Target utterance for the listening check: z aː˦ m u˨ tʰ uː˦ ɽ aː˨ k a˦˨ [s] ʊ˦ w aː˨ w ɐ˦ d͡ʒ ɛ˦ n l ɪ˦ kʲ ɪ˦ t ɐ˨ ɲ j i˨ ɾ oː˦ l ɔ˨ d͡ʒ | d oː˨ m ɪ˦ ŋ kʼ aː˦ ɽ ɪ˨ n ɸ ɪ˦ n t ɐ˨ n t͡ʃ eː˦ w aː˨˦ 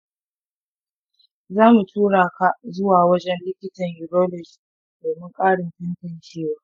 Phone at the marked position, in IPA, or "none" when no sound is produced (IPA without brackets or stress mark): z